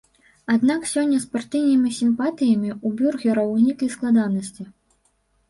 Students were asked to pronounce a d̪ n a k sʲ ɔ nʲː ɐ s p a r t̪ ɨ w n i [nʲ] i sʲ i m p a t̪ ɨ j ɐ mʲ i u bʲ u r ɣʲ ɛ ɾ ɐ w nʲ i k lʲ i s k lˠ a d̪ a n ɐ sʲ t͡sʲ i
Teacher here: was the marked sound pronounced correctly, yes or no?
no